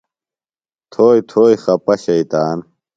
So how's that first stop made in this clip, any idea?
aspirated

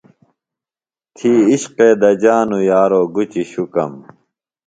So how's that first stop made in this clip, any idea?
aspirated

